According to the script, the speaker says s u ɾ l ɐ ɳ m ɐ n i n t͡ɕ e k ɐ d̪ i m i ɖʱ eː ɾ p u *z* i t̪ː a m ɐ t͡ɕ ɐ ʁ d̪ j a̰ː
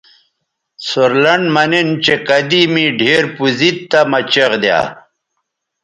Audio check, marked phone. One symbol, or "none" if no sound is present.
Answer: z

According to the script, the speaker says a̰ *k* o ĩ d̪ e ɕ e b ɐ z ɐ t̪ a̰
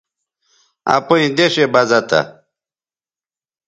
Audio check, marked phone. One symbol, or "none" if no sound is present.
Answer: p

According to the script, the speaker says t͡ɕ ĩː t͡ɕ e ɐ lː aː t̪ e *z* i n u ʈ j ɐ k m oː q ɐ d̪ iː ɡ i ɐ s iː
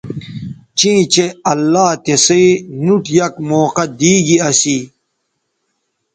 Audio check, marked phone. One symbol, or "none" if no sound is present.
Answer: s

